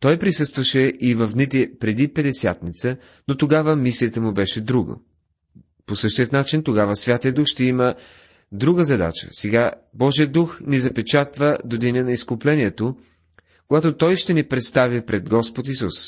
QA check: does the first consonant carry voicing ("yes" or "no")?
no